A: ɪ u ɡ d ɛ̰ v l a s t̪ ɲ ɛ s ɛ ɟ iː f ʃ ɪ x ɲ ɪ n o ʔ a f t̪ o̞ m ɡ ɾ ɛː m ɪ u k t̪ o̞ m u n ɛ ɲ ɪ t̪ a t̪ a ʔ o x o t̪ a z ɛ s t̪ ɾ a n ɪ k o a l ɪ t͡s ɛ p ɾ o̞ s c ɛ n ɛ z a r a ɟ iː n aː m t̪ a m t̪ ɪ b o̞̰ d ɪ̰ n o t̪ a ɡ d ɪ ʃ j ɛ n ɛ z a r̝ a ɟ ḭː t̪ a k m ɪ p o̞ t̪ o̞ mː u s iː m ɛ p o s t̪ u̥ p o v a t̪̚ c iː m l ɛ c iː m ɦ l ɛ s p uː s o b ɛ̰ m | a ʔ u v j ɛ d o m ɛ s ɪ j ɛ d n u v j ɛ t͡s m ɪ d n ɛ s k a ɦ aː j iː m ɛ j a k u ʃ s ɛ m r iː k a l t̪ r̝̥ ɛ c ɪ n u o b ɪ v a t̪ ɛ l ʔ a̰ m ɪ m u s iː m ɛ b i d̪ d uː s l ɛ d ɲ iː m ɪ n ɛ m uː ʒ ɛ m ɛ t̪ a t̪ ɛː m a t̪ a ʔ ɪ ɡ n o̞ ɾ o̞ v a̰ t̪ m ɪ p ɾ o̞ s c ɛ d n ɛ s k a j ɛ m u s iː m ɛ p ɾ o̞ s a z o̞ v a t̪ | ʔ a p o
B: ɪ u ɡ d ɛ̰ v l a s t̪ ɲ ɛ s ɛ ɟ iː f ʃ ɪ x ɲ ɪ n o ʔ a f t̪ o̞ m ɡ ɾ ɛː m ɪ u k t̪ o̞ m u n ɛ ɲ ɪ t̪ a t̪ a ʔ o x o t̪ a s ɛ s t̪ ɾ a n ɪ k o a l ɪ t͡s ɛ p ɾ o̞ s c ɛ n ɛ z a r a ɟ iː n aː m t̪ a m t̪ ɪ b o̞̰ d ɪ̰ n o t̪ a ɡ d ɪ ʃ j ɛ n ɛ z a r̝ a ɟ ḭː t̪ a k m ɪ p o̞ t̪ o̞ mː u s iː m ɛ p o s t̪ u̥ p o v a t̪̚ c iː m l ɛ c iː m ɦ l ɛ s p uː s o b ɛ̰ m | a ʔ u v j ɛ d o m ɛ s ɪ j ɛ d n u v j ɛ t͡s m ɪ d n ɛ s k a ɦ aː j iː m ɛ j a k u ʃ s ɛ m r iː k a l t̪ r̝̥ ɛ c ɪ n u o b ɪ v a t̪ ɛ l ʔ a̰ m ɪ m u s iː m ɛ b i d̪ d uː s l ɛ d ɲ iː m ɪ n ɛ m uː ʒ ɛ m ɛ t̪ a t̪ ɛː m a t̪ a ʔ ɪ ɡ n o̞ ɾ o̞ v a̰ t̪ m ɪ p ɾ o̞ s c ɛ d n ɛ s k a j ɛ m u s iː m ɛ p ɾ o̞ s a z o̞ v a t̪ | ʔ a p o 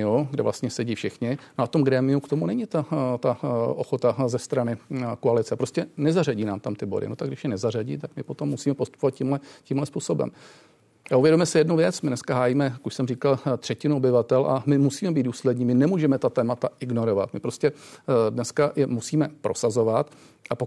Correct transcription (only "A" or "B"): A